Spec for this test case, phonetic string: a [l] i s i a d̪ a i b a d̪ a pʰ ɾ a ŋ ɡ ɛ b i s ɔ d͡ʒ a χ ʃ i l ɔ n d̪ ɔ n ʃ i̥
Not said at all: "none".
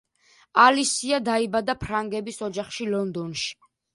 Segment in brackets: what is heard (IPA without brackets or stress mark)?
l